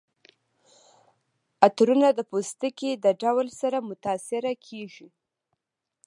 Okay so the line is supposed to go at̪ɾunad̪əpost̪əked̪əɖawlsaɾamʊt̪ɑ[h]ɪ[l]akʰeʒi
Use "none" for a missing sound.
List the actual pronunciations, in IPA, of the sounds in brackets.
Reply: s, ɾ

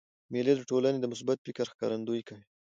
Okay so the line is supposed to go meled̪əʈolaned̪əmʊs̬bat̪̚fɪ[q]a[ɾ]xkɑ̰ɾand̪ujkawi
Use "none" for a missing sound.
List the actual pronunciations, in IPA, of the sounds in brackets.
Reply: k, ɾ

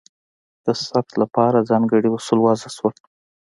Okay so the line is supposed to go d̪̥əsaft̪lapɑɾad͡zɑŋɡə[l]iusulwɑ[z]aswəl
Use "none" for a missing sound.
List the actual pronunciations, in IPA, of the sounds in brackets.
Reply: ɽ, z

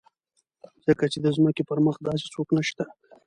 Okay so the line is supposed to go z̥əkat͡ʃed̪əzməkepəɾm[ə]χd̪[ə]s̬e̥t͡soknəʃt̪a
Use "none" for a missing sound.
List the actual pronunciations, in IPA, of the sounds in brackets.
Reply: ə, ɑ

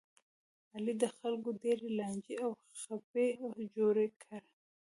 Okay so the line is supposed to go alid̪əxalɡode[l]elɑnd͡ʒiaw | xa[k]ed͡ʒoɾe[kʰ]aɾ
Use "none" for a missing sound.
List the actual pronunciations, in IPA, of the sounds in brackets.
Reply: ɾ, p, kʰ

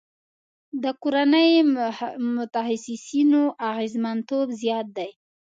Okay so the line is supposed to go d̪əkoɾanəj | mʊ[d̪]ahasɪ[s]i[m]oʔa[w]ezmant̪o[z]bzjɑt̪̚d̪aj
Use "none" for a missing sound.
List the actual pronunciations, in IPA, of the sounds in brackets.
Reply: t̪, s, n, ɣ, none

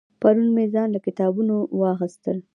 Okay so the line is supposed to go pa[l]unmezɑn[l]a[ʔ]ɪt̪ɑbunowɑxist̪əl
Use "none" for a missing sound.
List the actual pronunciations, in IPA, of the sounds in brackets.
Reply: ɾ, l, k

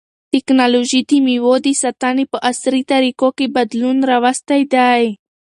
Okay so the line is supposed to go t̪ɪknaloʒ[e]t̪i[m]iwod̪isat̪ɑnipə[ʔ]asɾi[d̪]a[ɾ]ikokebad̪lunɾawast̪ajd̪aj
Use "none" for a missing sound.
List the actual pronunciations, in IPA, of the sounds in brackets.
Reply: i, m, ʔ, t̪, ɾ

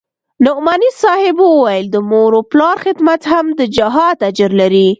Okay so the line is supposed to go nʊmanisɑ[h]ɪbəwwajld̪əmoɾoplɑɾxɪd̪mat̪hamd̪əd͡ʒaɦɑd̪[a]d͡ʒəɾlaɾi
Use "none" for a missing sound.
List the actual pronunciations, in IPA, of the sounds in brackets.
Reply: h, a

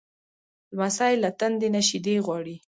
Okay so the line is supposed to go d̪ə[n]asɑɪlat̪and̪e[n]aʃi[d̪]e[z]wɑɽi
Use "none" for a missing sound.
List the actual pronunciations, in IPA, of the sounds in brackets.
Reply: m, n, d̪, ɣ

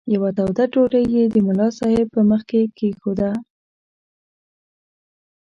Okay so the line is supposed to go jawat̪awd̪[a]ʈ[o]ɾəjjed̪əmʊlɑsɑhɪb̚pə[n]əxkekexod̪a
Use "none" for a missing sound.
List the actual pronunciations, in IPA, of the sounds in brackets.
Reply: a, o, m

